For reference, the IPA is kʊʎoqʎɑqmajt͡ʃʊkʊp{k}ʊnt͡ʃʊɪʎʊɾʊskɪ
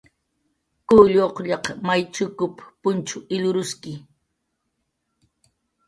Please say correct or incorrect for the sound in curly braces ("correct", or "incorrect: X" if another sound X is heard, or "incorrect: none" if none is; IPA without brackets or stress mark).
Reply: incorrect: p